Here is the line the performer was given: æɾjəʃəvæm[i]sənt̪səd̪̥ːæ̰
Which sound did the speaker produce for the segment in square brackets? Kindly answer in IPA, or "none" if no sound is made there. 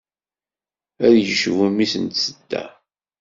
i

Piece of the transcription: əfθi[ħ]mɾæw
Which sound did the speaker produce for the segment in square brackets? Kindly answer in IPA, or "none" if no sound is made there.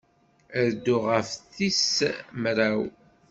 s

